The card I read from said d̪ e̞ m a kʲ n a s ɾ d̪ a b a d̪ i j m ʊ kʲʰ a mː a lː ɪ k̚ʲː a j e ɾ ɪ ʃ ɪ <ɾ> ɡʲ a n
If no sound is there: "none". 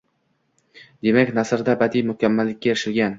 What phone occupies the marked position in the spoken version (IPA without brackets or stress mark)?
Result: l